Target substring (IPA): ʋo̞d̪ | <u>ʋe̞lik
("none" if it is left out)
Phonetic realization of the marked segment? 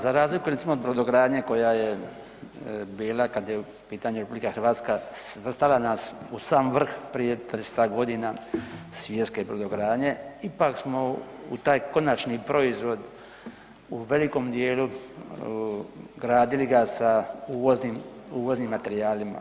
u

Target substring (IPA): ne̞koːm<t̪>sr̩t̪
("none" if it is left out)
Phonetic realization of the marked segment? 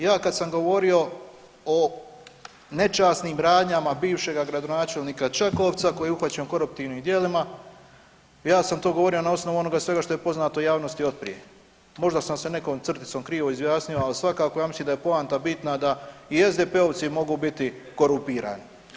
t̪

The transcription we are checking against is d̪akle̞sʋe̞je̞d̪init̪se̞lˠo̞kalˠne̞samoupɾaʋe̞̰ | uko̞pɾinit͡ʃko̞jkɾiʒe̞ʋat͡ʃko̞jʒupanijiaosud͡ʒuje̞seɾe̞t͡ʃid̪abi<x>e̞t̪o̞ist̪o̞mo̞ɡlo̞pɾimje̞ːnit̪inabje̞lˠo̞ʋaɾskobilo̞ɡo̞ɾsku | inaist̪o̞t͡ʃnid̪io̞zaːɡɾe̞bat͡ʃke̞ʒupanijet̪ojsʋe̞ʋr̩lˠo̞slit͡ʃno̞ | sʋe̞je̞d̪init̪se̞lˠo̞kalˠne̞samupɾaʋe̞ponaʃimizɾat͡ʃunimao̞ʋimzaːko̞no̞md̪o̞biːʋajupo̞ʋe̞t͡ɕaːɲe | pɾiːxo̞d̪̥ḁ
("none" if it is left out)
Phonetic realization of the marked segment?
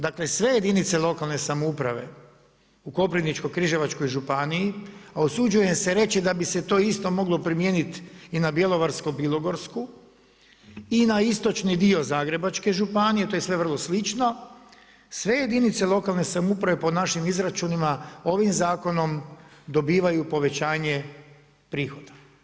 s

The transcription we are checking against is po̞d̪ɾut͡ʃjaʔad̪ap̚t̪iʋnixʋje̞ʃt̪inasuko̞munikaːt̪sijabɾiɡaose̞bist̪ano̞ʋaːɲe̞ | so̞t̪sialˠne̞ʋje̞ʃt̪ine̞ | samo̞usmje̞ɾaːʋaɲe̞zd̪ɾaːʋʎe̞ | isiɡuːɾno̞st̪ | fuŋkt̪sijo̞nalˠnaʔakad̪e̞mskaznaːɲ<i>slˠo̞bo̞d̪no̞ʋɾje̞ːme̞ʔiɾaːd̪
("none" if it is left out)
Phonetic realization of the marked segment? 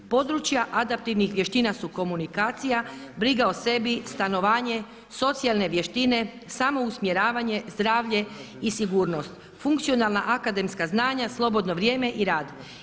a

